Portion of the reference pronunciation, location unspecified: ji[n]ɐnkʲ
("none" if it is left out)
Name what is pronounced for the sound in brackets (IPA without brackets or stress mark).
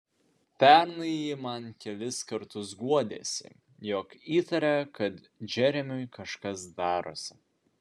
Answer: m